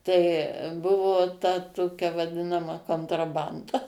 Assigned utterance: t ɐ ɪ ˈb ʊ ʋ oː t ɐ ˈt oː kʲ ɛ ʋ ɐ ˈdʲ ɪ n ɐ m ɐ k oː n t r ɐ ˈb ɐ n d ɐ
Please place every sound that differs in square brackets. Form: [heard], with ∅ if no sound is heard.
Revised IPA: t ɐ ɪ ˈb ʊ ʋ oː t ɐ ˈt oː kʲ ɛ ʋ ɐ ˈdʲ ɪ n ɐ m ɐ k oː n t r ɐ ˈb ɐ n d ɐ